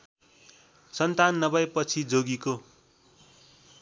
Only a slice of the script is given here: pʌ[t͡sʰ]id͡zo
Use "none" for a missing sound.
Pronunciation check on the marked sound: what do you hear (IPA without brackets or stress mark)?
t͡sʰ